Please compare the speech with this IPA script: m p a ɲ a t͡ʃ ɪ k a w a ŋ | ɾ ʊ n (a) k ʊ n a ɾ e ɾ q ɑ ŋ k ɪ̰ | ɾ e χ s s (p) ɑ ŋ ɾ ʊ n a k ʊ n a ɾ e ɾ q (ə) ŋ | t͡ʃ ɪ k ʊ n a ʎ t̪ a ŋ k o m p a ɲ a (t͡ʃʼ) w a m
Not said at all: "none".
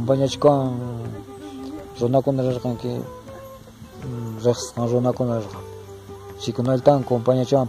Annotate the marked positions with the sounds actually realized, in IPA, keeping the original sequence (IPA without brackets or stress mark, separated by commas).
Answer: a, q, ɑ, t͡ʃ